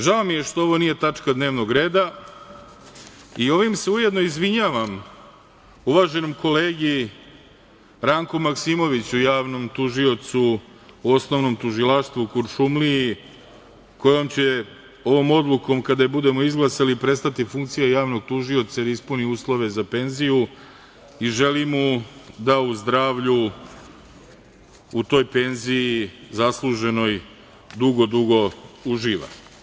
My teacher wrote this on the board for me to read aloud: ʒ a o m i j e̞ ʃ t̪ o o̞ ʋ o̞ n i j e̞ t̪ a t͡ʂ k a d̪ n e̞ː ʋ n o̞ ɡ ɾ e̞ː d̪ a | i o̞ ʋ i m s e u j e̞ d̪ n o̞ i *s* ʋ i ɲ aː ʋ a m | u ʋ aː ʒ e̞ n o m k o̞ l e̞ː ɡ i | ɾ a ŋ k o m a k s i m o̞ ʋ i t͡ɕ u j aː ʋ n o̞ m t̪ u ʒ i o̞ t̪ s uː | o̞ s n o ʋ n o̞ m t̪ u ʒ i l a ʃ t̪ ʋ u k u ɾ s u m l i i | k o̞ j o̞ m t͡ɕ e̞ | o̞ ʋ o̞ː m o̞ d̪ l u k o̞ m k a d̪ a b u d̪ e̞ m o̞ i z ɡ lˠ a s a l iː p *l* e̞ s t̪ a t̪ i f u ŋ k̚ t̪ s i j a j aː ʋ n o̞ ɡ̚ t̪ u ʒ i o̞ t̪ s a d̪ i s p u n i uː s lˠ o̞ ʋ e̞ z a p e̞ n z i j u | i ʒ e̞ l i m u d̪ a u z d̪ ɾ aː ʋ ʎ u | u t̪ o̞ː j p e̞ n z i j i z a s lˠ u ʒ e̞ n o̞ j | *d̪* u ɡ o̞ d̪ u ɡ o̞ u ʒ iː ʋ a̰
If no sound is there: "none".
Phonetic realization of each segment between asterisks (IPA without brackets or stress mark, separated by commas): z, ɾ, d̪